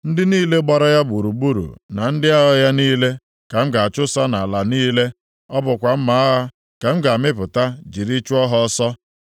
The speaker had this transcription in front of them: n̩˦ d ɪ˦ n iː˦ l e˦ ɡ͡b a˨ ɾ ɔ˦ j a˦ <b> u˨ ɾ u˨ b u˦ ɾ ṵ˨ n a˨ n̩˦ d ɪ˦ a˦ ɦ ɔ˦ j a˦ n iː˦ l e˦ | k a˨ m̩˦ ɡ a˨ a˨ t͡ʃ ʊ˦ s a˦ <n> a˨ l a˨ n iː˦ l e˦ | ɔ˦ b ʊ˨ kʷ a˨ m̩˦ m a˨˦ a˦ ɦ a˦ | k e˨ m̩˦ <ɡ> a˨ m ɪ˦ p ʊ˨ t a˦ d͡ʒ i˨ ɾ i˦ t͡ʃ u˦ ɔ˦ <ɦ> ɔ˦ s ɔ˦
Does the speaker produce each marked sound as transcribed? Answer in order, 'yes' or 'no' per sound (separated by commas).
yes, yes, yes, yes